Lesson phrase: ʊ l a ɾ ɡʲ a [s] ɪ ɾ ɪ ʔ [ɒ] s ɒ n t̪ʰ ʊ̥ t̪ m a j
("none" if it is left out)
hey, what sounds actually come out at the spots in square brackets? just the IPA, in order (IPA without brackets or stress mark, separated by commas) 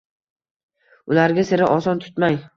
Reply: s, ɒ